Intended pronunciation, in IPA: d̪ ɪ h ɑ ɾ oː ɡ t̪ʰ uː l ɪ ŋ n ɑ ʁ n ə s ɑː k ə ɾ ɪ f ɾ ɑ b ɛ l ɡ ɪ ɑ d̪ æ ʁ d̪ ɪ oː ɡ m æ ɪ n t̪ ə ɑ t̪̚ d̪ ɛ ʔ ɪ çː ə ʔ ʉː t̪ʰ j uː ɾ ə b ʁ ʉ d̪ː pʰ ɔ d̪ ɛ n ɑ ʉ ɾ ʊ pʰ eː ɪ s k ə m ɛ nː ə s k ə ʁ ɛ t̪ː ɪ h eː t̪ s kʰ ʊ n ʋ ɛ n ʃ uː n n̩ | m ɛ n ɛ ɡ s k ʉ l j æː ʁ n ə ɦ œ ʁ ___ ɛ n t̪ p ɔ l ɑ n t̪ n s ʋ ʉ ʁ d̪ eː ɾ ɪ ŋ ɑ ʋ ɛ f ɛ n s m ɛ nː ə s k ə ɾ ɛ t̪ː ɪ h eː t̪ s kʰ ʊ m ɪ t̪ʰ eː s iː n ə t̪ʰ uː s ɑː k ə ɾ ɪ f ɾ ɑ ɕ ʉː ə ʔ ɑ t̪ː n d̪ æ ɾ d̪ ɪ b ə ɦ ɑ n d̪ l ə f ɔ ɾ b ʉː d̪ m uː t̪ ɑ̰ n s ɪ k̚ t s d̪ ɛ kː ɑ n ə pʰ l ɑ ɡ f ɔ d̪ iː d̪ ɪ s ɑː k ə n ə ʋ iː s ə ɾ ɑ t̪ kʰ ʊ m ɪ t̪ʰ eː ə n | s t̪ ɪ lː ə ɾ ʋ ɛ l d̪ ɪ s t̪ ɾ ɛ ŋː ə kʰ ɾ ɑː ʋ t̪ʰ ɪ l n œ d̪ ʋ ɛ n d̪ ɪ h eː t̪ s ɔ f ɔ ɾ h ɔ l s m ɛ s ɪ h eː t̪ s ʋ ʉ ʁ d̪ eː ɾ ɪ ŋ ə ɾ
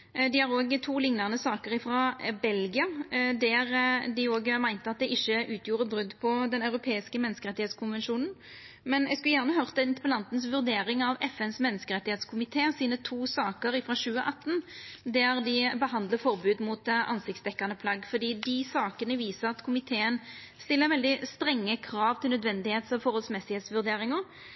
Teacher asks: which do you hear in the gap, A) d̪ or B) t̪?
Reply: B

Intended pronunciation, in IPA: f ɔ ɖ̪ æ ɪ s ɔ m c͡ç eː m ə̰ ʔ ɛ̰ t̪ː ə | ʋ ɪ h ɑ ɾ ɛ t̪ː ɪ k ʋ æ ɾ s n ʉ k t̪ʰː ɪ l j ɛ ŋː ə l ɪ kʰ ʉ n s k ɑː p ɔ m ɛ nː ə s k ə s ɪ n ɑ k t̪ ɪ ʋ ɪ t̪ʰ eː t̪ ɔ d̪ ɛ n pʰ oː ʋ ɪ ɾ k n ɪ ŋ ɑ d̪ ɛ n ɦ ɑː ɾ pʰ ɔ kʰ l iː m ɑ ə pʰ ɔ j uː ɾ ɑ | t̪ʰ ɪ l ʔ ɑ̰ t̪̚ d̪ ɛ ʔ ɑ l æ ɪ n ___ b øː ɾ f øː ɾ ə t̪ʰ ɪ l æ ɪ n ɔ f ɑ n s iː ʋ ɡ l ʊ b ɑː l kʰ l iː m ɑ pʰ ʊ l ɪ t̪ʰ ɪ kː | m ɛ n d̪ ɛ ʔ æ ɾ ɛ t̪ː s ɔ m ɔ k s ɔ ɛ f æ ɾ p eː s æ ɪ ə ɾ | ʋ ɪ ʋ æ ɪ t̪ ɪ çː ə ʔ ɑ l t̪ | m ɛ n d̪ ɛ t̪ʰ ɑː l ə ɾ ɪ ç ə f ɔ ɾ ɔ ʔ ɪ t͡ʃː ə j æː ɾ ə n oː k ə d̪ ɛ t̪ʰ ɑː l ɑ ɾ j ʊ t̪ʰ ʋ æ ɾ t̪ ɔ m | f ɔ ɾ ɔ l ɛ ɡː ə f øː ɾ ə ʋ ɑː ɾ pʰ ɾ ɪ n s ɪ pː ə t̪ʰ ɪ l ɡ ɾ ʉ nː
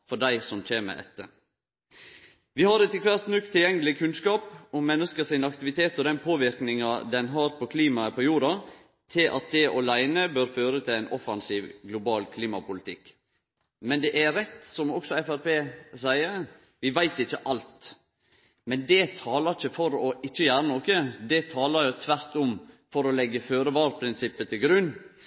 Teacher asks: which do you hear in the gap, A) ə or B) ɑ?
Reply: A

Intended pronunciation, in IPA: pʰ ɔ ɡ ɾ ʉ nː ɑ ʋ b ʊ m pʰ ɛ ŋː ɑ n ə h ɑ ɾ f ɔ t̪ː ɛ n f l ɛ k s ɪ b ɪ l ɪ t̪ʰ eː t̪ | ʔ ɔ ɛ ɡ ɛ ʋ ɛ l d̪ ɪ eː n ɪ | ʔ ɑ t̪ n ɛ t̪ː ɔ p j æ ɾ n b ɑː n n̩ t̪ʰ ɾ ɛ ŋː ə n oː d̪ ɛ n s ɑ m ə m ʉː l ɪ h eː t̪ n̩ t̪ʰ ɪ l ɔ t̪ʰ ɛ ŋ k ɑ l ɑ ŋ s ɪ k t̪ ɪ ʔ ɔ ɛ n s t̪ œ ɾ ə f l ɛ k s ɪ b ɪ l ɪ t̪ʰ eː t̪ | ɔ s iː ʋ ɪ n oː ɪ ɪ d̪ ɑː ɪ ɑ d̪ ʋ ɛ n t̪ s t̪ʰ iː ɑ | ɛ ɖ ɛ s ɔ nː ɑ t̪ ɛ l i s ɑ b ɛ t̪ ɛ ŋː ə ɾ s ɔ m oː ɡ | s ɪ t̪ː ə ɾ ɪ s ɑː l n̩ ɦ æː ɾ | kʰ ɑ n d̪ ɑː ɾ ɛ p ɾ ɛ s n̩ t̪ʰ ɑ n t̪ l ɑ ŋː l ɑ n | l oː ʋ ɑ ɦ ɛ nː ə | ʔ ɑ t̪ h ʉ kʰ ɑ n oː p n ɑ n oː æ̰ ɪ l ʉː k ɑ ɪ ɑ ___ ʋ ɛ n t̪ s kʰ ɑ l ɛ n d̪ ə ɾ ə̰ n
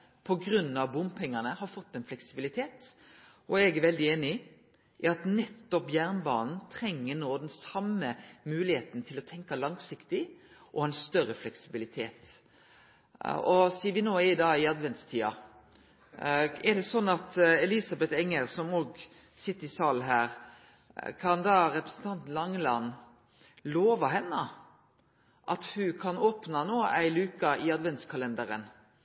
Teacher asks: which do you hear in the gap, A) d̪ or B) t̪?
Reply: A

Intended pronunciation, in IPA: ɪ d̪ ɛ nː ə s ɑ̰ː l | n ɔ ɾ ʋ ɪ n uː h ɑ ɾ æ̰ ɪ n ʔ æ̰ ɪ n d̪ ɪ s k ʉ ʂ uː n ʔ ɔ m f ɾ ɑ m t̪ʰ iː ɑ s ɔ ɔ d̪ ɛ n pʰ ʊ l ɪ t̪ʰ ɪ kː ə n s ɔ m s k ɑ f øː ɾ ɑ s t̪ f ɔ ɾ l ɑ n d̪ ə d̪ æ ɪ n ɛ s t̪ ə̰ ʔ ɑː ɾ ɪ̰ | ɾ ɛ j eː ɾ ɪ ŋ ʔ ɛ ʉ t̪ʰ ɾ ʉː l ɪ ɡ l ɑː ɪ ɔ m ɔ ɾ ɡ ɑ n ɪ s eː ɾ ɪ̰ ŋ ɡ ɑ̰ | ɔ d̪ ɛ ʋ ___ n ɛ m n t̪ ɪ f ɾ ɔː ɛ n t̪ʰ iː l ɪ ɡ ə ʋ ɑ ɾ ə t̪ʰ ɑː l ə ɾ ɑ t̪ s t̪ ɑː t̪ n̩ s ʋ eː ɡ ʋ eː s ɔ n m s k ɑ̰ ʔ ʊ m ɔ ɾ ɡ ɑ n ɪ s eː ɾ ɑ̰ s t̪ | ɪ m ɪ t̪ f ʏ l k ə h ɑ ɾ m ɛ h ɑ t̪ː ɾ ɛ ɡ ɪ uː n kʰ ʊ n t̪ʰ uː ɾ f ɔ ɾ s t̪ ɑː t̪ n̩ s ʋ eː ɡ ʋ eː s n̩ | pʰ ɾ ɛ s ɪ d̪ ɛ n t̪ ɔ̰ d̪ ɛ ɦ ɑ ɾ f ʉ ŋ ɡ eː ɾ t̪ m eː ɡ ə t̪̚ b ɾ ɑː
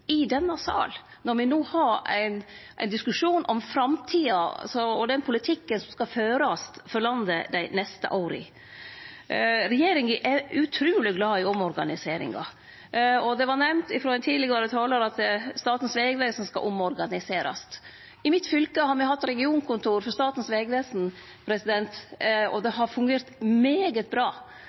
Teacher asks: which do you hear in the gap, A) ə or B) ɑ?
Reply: B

